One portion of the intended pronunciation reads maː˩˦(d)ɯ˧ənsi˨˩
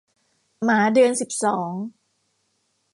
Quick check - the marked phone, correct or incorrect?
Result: correct